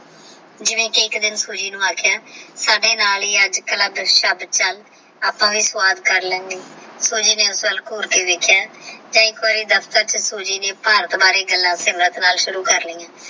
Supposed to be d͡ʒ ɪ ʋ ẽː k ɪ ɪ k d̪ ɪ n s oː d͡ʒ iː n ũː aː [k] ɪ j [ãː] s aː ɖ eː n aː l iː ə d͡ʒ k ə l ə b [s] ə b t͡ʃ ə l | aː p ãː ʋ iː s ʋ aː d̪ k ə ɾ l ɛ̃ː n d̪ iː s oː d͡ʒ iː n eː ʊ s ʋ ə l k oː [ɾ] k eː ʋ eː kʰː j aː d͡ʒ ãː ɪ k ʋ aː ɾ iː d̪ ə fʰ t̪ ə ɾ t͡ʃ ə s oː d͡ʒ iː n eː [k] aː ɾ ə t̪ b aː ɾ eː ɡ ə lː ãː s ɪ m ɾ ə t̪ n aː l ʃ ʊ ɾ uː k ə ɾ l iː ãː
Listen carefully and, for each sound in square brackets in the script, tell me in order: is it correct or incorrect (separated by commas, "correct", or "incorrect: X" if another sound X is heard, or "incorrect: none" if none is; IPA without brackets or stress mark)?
incorrect: kʰ, incorrect: aː, incorrect: ʃ, correct, incorrect: p